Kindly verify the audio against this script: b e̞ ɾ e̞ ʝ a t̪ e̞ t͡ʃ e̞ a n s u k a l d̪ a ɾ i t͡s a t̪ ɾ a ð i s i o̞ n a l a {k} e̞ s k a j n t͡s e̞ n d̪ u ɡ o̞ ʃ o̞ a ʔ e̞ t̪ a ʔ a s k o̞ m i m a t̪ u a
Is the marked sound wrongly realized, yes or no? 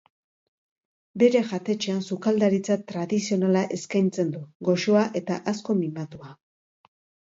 yes